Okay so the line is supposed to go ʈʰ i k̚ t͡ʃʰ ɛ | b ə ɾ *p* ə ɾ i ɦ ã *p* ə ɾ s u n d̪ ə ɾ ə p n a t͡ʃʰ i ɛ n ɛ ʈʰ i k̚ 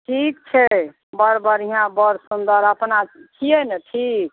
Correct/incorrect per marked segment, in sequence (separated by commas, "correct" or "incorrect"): incorrect, incorrect